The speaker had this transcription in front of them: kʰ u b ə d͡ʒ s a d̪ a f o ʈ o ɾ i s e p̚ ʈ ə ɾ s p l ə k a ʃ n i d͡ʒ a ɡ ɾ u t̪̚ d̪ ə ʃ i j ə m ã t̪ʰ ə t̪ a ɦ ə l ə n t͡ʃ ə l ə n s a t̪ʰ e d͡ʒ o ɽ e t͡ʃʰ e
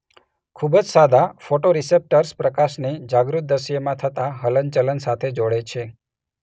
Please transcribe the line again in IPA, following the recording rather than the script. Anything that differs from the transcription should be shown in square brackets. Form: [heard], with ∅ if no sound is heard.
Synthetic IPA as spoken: kʰ u b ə d͡ʒ s a d̪ a f o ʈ o ɾ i s e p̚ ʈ ə ɾ s p [ɾ] ə k a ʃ n i d͡ʒ a ɡ ɾ u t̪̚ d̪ ə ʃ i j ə m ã t̪ʰ ə t̪ a ɦ ə l ə n t͡ʃ ə l ə n s a t̪ʰ e d͡ʒ o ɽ e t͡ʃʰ e